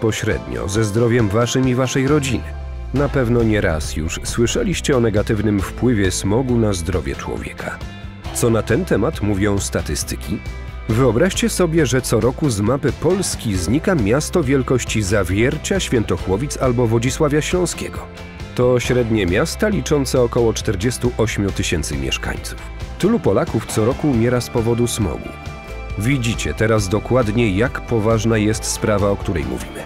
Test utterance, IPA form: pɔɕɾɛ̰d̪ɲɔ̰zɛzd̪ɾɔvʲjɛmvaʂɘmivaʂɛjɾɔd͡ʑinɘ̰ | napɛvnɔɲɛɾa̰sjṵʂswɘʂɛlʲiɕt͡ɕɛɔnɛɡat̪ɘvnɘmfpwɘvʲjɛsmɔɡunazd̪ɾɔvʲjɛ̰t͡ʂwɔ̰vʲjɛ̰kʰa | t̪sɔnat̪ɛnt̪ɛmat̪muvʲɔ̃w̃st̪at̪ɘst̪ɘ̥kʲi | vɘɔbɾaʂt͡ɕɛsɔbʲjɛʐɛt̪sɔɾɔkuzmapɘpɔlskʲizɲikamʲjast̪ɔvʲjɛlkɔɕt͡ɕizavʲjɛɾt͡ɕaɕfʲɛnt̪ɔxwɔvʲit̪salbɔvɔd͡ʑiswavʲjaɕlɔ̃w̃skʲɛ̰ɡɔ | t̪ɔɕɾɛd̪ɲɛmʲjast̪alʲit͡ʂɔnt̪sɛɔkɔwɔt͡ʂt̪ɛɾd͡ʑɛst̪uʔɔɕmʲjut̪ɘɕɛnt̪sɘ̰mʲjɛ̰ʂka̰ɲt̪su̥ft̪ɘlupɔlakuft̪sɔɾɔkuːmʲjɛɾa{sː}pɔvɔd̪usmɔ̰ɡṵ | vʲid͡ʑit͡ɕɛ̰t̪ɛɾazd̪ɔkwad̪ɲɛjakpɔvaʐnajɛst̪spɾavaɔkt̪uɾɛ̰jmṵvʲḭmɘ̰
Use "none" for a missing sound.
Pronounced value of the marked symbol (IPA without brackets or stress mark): s